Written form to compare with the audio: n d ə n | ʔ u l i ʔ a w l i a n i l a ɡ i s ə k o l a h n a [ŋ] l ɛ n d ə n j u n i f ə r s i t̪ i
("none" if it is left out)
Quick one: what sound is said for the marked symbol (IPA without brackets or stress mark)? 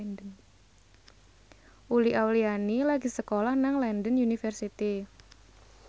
ŋ